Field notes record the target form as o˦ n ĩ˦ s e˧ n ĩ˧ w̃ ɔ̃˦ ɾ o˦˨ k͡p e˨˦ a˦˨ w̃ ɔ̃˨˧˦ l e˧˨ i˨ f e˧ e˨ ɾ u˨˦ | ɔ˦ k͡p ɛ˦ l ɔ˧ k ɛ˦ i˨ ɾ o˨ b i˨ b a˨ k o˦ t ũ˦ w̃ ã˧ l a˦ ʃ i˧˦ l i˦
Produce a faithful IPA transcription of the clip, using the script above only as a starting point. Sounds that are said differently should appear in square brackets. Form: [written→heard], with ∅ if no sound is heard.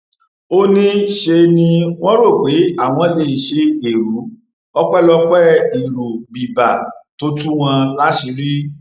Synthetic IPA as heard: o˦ n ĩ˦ [s→ʃ] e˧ n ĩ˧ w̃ ɔ̃˦ ɾ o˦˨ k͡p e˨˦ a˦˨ w̃ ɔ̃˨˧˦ l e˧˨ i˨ [f→ʃ] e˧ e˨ ɾ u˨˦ | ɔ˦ k͡p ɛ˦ l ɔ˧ [k→k͡p] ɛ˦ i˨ ɾ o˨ b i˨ b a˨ [k→t] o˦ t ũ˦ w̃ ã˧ l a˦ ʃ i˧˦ [l→ɾ] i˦